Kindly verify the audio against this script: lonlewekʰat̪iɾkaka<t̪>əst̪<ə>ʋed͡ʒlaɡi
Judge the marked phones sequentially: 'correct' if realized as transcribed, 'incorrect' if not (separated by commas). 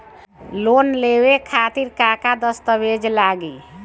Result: incorrect, correct